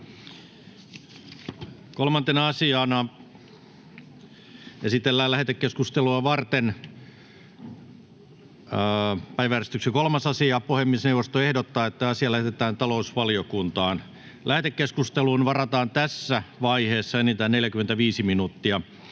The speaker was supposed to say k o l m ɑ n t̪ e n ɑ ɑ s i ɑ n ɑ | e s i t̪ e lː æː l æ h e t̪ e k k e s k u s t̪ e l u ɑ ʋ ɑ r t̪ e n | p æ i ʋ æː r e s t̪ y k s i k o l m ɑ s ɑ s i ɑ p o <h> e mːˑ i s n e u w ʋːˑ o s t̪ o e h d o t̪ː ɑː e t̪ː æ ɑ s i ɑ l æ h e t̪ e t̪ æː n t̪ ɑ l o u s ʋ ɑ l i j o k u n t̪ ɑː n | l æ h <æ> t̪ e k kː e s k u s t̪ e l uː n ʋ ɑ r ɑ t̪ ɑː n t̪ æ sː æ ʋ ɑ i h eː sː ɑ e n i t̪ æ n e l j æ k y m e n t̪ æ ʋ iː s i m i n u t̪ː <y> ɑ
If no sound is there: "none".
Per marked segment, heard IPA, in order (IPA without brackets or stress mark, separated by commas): h, e, i